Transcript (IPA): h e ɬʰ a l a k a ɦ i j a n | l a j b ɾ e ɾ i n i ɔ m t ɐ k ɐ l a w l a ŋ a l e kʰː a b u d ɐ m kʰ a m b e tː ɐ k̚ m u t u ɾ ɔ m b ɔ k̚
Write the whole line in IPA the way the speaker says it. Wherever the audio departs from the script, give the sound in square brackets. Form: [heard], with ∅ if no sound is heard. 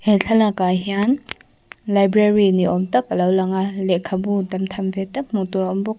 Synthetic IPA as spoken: h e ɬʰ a l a k a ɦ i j a n | l a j b ɾ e ɾ i n i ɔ m t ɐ k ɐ l a w l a ŋ a l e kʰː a b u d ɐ m [tʰ] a m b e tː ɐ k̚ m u t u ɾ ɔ m b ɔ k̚

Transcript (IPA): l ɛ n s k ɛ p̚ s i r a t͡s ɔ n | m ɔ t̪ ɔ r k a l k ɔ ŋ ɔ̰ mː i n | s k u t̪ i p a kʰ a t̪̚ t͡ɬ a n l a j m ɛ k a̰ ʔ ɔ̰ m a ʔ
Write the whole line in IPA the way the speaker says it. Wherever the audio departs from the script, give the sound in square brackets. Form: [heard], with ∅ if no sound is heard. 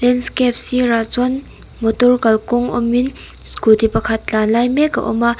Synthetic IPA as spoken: l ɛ n s k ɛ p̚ s i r a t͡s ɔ n | m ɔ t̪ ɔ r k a l k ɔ ŋ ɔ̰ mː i n | s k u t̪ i p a kʰ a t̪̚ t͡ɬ a n l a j m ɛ k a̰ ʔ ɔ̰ m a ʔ

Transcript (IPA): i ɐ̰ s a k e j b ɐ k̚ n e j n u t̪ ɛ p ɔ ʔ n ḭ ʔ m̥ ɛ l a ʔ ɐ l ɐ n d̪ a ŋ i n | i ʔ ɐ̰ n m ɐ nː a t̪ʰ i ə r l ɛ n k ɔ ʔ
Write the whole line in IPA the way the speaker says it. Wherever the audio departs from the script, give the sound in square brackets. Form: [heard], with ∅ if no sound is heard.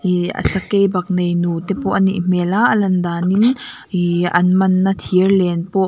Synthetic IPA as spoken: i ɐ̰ s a k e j b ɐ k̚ n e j n u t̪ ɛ p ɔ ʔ n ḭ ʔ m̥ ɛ l a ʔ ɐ l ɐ n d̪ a [n] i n | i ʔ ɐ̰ n m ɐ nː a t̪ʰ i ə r l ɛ n [p] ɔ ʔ

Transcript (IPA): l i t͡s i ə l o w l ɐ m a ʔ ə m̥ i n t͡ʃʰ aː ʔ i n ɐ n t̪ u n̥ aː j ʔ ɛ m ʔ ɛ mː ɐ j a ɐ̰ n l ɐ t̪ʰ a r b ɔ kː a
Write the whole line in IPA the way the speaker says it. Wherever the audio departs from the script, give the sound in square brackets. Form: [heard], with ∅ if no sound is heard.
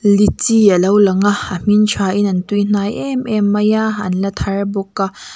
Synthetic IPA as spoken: l i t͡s i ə l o w l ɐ [ŋ] a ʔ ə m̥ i n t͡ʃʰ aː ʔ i n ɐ n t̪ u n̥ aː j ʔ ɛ m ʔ ɛ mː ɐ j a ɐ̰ n l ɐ t̪ʰ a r b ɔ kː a

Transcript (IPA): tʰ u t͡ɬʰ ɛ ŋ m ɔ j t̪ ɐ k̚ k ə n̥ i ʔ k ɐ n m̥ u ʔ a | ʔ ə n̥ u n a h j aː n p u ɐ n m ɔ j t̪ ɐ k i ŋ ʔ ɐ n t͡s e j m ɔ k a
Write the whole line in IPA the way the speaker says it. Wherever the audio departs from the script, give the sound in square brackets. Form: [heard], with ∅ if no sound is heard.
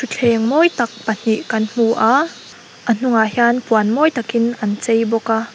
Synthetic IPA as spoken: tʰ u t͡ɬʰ ɛ ŋ m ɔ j t̪ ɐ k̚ [p] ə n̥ i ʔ k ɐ n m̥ u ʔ a | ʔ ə n̥ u [ŋ] a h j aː n p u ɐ n m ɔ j t̪ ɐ k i [n] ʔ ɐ n t͡s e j [b] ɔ k a

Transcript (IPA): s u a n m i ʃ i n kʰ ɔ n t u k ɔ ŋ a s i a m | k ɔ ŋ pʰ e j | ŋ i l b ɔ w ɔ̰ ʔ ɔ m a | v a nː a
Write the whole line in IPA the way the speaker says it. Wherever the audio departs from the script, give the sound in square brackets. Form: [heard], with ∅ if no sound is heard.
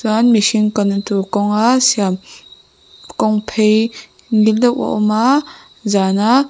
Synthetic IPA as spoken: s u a n m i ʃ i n [k] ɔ n t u k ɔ ŋ a s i a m | k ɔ ŋ pʰ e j | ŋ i l [d] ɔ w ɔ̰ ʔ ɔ m a | [z] a [n] a

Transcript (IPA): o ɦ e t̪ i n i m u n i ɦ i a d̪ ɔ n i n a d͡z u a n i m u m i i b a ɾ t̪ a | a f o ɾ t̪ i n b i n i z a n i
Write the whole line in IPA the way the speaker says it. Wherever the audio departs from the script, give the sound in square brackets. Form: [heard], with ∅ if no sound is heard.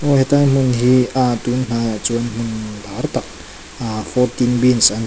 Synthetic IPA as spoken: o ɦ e t̪ [a] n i m u n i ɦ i a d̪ [u] n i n a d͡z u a n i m u [n] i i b a ɾ t̪ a | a f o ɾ t̪ i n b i n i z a n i

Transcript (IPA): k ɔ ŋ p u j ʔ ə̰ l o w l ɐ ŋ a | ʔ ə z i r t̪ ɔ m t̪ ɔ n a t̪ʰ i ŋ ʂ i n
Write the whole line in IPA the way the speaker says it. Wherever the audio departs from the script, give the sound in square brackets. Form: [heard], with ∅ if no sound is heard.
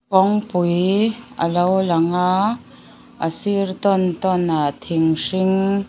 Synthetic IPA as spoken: k ɔ ŋ p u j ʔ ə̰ l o w l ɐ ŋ a | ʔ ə [s] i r t̪ ɔ [n] t̪ ɔ n a t̪ʰ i ŋ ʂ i [ŋ]

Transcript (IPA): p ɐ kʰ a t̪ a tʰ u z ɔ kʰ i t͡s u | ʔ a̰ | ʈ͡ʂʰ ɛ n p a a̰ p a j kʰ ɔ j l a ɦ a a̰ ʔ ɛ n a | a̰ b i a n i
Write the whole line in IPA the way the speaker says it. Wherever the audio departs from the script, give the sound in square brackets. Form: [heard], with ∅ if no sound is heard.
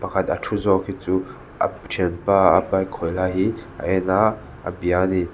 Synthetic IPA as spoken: p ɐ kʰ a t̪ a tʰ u z ɔ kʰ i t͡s u | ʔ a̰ | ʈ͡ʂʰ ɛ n p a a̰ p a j kʰ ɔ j l a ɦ [i] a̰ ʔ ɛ n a | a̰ b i a n i

